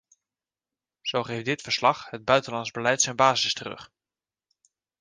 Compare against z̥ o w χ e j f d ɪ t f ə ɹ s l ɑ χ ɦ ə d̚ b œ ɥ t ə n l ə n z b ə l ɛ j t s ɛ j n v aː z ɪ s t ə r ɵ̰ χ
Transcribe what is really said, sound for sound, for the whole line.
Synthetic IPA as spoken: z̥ o w χ e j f d ɪ t f ə ɹ s l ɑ χ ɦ ə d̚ b œ ɥ t ə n l ɑ n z b ə l ɛ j t s ɛ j n b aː z ɪ s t ə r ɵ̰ χ